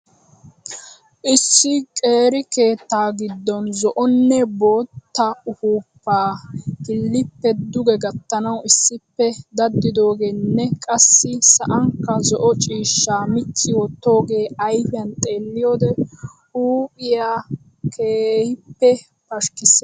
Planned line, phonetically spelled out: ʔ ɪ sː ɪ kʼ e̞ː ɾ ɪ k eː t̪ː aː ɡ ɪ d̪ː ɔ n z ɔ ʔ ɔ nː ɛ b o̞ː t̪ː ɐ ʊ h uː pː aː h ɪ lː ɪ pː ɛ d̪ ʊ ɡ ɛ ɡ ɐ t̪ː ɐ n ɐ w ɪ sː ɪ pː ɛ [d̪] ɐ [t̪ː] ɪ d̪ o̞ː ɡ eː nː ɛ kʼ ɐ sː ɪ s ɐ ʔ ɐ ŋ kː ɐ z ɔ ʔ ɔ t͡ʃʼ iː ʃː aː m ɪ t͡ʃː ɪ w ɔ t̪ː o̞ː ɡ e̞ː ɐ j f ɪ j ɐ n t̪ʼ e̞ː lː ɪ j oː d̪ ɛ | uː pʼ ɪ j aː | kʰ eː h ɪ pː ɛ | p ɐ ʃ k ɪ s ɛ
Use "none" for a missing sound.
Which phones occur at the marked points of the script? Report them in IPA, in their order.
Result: d̪, d̪ː

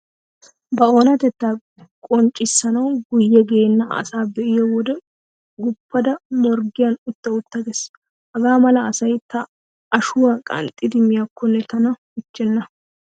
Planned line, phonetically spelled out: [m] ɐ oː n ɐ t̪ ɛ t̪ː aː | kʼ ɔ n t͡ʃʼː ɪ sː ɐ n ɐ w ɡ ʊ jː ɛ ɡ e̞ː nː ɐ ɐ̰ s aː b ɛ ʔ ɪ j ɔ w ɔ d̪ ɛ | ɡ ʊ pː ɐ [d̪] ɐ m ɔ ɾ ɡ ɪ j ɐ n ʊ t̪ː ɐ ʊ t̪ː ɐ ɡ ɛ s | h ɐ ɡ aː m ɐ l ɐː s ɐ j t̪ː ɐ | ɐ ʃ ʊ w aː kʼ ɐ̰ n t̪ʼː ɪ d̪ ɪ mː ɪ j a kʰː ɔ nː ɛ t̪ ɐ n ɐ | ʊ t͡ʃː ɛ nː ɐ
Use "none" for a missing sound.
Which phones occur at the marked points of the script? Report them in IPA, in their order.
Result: b, d̪

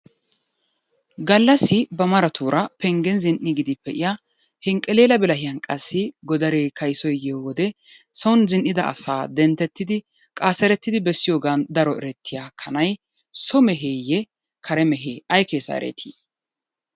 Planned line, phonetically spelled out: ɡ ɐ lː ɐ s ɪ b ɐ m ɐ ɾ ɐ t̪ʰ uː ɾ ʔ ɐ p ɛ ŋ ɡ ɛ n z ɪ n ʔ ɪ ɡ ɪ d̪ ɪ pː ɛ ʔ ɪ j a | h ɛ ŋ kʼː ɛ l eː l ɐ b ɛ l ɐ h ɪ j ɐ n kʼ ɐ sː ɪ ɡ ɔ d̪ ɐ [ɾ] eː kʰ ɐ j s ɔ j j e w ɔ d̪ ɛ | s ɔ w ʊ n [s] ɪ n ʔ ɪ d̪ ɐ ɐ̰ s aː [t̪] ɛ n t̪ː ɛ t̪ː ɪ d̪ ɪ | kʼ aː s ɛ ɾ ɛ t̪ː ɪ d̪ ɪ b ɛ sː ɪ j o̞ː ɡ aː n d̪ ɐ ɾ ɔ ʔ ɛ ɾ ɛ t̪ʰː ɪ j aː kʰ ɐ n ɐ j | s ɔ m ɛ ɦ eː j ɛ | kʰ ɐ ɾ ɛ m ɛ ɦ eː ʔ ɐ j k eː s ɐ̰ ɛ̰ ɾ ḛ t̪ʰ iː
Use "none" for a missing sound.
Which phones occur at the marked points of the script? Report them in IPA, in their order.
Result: ɾ, z, d̪

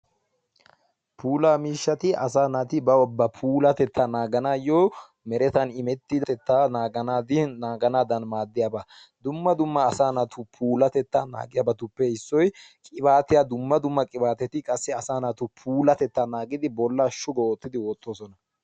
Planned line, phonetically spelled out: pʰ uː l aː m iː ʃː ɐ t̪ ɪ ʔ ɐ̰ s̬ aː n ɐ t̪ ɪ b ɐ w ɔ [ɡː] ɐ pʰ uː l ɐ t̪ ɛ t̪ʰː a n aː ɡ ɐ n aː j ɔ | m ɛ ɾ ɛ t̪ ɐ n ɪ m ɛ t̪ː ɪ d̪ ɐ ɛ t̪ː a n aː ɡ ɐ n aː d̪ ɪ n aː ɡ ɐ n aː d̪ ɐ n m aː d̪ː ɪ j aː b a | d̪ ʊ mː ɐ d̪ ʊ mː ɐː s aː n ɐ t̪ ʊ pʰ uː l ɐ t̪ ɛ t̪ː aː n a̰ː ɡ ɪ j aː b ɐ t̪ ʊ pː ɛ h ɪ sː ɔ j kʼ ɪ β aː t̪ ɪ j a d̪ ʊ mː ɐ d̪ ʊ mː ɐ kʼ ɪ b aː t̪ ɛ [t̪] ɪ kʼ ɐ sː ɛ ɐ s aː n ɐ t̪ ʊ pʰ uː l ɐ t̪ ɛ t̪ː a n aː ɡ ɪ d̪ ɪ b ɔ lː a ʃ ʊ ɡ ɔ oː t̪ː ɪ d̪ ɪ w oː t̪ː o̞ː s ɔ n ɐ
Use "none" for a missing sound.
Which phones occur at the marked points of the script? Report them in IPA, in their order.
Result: bː, t̪

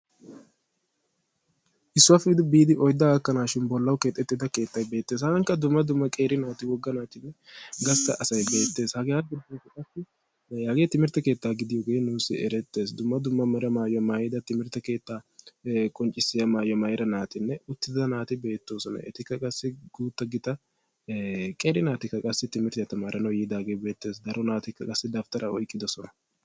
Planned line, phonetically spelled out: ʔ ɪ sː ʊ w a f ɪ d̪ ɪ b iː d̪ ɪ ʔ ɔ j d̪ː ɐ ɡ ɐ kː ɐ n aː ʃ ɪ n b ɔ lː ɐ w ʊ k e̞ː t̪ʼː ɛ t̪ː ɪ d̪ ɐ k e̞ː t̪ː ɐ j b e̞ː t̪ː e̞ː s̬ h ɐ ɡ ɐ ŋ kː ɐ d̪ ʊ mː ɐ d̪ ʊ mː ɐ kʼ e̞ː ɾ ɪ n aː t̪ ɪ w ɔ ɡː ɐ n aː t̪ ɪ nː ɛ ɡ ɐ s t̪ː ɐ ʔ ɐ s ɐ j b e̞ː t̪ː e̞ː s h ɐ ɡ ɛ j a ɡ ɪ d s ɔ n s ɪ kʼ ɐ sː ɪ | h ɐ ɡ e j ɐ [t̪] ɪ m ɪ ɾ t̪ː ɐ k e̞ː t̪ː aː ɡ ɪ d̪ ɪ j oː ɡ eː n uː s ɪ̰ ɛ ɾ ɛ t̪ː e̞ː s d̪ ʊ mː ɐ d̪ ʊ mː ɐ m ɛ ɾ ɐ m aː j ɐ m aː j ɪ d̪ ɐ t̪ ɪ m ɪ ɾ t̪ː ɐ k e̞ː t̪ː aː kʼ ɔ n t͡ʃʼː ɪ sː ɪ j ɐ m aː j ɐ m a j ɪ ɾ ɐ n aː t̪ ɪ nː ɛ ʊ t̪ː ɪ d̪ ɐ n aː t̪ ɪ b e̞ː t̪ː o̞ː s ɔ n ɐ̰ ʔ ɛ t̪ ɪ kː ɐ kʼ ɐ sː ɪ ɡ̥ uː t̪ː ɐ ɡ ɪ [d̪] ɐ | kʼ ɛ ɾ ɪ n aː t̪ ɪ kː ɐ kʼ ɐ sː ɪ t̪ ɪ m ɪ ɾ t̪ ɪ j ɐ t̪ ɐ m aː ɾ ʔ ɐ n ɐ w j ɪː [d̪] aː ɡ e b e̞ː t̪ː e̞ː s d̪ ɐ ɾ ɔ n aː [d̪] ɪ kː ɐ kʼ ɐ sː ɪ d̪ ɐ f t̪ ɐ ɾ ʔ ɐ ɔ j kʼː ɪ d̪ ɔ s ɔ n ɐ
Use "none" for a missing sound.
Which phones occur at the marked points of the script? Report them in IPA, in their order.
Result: t̪, t̪, d̪, t̪

